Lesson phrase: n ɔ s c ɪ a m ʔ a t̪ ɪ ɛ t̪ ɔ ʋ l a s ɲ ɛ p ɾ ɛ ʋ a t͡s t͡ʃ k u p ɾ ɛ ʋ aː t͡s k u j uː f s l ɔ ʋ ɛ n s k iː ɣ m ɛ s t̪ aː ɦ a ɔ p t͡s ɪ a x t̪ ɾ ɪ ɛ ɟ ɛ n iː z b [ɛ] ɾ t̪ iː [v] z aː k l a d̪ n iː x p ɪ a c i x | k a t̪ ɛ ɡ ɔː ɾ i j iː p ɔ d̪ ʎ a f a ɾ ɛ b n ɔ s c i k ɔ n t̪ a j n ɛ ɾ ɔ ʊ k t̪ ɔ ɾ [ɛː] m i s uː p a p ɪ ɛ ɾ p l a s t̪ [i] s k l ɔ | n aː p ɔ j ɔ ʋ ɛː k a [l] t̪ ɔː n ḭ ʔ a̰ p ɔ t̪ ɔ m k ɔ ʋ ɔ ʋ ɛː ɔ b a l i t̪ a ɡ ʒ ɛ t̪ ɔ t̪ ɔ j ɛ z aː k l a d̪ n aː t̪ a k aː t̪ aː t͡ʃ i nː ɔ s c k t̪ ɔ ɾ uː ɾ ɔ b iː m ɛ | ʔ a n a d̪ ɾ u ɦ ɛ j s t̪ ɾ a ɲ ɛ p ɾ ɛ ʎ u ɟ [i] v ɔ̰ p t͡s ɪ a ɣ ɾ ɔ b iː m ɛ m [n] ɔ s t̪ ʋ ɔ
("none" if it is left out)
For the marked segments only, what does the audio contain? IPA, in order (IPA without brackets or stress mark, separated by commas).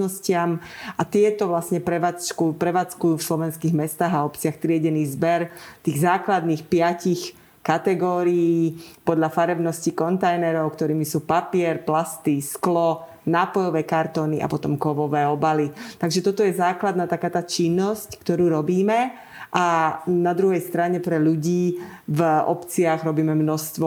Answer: ɛ, ɣ, iː, i, ɾ, iː, n